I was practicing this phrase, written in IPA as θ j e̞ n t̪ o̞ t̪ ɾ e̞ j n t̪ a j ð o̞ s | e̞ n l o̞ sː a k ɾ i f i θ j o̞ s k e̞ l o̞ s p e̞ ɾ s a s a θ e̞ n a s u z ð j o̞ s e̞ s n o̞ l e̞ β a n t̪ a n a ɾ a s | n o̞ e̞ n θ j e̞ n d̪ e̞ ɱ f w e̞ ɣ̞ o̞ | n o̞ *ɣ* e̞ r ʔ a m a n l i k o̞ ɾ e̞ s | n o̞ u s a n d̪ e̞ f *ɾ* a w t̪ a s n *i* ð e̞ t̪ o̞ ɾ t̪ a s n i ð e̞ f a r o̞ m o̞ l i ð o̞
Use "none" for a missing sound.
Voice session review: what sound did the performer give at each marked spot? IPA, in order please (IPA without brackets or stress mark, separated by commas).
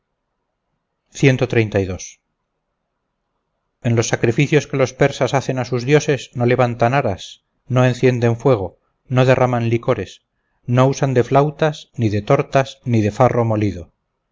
ð, l, i